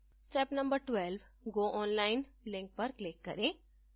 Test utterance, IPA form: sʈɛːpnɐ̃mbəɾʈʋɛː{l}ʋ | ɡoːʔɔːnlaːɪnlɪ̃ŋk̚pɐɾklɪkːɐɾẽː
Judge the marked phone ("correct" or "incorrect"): correct